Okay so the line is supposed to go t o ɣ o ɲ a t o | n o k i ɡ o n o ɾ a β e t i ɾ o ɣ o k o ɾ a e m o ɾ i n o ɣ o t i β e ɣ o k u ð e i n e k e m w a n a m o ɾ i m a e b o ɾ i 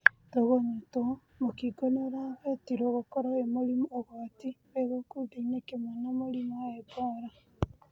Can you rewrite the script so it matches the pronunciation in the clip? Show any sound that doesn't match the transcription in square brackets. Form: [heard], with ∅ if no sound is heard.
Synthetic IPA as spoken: t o ɣ o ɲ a t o | [m] o k i ɡ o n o ɾ a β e t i ɾ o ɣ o k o ɾ a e m o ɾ i [m] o ɣ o t i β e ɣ o k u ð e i n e k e m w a n a m o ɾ i m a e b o ɾ [a]